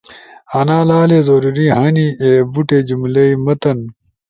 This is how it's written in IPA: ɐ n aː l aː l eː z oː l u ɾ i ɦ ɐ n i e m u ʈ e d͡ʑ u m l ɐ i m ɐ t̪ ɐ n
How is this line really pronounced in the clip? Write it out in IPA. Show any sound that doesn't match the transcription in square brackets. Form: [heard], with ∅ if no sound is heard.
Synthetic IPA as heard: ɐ n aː l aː l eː z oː [ɾ] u ɾ i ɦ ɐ n i e [b] u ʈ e d͡ʑ u m l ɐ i m ɐ t̪ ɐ n